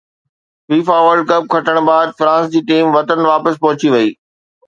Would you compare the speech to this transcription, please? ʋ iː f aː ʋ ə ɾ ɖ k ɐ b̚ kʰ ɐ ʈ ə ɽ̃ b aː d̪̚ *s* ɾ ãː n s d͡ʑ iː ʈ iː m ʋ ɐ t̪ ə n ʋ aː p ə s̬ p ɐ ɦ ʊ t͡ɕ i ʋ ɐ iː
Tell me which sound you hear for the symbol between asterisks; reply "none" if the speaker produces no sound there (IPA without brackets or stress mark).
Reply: f